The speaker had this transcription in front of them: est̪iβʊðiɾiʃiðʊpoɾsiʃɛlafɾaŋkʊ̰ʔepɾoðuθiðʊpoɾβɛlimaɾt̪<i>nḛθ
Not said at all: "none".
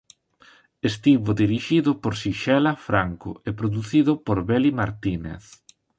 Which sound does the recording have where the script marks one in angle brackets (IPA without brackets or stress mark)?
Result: i